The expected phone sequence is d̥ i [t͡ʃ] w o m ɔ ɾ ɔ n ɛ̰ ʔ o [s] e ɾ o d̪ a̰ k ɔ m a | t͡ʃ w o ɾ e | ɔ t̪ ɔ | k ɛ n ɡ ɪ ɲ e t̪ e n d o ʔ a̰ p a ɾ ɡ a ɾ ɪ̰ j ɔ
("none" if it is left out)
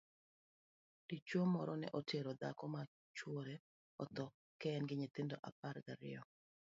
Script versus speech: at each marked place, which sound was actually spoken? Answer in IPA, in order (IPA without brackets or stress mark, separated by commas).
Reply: t͡ʃ, t